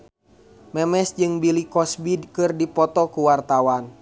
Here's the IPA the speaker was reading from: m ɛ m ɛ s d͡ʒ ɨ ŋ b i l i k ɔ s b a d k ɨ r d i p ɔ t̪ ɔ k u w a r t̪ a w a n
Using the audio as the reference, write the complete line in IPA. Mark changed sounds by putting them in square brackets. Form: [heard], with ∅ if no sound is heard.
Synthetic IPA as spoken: m ɛ m ɛ s d͡ʒ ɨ ŋ b i l i k ɔ s b [i] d k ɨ r d i p ɔ t̪ ɔ k u w a r t̪ a w a n